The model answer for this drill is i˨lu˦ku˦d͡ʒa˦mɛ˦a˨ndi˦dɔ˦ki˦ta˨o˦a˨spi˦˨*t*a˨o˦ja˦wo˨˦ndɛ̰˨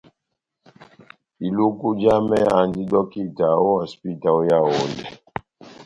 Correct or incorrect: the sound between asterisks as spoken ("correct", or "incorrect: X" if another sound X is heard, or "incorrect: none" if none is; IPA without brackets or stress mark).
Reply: correct